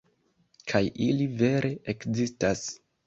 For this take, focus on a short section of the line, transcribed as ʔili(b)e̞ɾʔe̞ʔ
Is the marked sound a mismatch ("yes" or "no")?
yes